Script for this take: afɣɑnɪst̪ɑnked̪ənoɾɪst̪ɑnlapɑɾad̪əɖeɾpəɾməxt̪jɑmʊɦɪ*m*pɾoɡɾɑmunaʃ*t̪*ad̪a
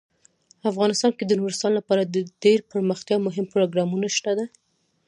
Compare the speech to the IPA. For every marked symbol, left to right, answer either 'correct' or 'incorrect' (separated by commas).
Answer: correct, correct